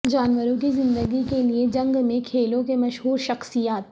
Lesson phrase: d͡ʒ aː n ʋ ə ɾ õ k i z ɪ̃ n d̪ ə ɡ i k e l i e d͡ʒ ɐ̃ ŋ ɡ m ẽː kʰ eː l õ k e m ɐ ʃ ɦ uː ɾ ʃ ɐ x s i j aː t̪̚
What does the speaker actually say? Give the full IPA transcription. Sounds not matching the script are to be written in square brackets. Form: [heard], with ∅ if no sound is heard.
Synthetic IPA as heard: d͡ʒ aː n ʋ ə ɾ õ k i z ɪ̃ n d̪ ə ɡ i k e l i e d͡ʒ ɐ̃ ŋ ɡ m [ẽ] kʰ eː l õ k e m ɐ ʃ ɦ uː ɾ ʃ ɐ x s i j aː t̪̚